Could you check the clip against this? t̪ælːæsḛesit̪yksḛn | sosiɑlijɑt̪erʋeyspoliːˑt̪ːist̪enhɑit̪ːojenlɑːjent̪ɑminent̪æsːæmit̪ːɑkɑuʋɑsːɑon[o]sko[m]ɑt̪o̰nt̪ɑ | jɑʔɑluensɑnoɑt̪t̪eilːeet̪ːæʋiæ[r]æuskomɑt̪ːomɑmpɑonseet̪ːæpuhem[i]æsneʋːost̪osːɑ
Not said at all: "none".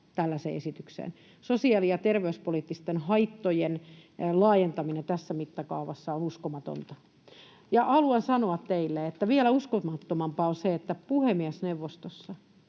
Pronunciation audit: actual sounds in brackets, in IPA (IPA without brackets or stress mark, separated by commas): u, m, l, i